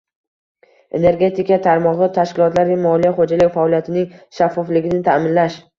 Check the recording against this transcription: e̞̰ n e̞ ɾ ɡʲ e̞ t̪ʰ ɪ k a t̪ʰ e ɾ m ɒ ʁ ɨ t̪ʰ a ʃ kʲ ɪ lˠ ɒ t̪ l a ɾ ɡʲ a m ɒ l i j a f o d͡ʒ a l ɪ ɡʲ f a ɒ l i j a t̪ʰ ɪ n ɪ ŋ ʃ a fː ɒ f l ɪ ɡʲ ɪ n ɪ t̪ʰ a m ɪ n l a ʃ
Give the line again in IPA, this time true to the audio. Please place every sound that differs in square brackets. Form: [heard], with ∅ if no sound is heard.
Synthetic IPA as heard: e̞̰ n e̞ ɾ ɡʲ e̞ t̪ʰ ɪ k a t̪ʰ [a] ɾ m ɒ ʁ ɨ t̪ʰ a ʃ kʲ ɪ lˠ ɒ t̪ l a ɾ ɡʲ a m ɒ l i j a [χ] o d͡ʒ a l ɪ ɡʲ f a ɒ l i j a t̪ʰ ɪ n ɪ ŋ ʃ a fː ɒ f l ɪ ɡʲ ɪ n ɪ t̪ʰ a m ɪ n l a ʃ